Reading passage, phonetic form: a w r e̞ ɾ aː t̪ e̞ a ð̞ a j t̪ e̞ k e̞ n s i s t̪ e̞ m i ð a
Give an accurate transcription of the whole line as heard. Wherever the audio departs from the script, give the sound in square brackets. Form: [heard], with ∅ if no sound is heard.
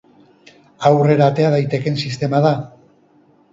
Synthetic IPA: a w r e̞ ɾ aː t̪ e̞ a ð̞ a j t̪ e̞ k e̞ n s i s t̪ e̞ m [a] ð a